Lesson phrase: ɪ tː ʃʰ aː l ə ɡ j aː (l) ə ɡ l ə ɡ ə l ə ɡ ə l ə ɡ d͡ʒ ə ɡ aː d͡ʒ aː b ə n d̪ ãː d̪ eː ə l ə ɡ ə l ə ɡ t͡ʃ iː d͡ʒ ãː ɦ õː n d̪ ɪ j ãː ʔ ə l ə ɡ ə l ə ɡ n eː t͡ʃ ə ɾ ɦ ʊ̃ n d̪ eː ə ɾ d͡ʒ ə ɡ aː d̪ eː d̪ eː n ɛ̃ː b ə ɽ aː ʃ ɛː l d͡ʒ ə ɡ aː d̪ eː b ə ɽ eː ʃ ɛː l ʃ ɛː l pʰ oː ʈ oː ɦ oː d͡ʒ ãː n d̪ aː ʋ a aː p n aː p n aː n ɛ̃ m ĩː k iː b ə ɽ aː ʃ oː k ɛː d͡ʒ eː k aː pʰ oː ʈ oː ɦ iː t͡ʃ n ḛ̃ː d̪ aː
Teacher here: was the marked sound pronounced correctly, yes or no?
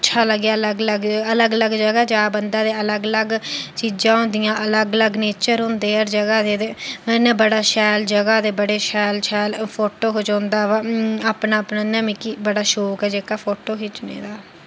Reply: yes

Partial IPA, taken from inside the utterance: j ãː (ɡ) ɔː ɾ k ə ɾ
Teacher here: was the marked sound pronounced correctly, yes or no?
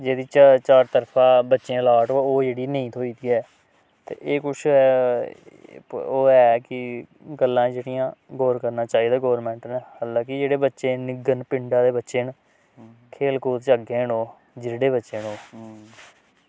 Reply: yes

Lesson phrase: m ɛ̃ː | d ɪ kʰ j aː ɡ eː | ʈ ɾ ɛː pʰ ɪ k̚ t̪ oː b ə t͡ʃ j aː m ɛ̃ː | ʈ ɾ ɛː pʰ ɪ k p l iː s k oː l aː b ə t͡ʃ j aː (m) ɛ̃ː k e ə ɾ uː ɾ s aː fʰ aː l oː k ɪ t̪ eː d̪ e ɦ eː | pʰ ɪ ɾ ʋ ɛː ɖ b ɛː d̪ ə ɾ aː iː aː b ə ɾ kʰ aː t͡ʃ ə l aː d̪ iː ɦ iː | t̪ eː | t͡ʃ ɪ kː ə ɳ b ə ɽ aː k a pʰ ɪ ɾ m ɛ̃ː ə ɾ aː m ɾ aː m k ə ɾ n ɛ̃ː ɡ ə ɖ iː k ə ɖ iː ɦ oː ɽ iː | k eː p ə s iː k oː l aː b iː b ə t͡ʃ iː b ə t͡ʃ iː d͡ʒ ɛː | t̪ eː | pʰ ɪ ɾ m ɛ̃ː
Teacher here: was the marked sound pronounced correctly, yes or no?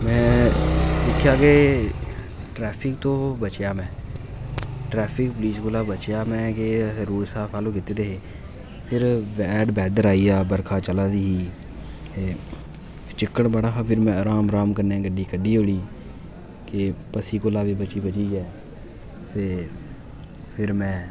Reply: yes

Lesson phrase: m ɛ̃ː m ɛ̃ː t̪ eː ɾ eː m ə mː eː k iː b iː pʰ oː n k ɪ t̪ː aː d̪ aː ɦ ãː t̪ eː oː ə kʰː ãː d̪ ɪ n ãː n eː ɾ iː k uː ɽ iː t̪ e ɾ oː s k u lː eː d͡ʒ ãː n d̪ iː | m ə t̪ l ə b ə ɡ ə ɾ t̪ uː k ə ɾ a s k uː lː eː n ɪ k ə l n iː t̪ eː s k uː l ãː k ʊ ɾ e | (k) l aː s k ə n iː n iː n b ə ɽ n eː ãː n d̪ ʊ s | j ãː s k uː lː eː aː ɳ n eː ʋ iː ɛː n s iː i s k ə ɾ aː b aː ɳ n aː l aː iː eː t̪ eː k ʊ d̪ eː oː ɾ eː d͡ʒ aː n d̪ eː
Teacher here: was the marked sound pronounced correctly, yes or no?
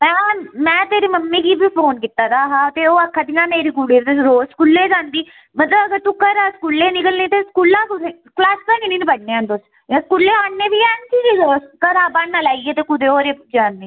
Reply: yes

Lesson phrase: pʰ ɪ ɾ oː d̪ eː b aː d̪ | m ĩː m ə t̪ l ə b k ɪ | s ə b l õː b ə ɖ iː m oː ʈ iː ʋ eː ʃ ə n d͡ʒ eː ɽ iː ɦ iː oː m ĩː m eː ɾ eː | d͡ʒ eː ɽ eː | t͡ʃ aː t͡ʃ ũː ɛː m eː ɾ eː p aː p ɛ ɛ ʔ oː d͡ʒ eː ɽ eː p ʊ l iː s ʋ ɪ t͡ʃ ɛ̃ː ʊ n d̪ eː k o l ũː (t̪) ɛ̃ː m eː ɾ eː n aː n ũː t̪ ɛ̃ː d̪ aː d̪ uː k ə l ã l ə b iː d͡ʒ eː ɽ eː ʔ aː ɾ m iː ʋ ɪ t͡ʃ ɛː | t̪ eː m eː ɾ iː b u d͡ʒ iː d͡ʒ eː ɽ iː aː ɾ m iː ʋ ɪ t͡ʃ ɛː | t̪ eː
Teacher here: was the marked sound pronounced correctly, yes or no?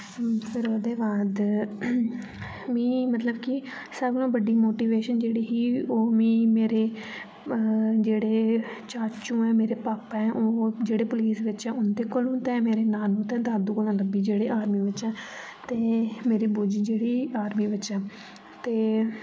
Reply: yes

